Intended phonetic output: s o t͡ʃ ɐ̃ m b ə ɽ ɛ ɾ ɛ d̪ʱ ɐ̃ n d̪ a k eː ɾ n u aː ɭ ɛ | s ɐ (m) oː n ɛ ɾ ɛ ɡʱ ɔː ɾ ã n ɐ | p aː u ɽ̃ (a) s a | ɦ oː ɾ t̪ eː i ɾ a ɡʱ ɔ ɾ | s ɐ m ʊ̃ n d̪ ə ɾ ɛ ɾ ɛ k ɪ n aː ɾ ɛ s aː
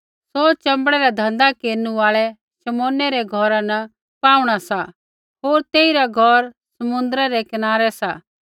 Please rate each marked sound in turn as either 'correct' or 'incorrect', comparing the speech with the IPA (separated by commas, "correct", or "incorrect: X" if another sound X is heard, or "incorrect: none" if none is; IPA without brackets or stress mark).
correct, correct